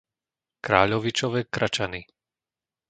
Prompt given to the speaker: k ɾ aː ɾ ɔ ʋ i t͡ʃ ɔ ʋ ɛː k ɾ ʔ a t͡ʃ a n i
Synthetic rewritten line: k ɾ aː ʎ ɔ ʋ i t͡ʃ ɔ ʋ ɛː k ɾ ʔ a t͡ʃ a n i